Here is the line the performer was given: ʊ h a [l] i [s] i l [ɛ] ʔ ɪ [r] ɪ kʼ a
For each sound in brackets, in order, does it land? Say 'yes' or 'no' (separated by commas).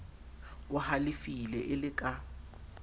yes, no, yes, no